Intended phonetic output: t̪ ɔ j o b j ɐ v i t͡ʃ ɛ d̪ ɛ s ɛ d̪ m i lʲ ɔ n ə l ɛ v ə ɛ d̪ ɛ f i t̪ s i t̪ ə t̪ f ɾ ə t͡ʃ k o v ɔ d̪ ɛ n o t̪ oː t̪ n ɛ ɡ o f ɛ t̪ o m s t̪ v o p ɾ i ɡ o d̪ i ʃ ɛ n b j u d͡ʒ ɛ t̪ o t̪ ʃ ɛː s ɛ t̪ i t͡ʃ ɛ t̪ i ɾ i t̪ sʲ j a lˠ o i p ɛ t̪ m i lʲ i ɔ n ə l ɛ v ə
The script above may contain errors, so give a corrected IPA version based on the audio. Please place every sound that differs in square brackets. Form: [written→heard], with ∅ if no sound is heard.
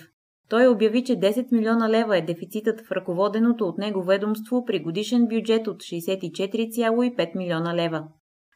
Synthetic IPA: t̪ ɔ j o b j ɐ v i t͡ʃ ɛ d̪ ɛ s ɛ [d̪→t̪] m i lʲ ɔ n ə l ɛ v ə ɛ d̪ ɛ f i t̪ s i t̪ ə t̪ f ɾ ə [t͡ʃ→∅] k o v ɔ d̪ ɛ n o t̪ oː t̪ n ɛ ɡ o [f→v] ɛ [t̪→d̪] o m s t̪ v o p ɾ i ɡ o d̪ i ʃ ɛ n b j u d͡ʒ ɛ t̪ o t̪ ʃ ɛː s ɛ t̪ i t͡ʃ ɛ t̪ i ɾ i t̪ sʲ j a lˠ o i p ɛ t̪ m i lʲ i ɔ n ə l ɛ v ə